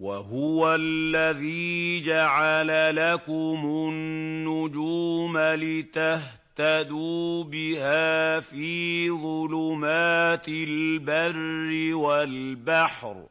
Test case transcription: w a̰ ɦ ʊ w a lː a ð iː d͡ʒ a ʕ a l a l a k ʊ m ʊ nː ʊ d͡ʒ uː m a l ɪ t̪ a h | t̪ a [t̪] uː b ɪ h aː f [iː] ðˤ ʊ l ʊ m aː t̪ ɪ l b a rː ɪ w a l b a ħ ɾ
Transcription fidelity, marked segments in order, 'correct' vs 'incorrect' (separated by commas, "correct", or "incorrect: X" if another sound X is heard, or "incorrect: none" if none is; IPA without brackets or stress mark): incorrect: d̪, correct